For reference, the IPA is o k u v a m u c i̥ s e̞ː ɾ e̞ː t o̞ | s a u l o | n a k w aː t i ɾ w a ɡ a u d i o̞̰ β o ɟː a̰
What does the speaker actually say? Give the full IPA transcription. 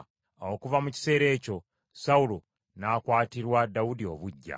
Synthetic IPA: o k u v a m u c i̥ s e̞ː ɾ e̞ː c o̞ | s a u l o | n a k w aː t i ɾ w a d a u d i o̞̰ β u ɟː a̰